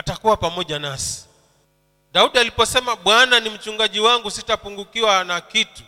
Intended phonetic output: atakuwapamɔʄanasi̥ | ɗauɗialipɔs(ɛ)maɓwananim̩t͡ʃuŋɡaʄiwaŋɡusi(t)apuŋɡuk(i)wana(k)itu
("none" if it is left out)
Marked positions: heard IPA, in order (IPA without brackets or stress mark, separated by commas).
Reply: ɛ, t, i, k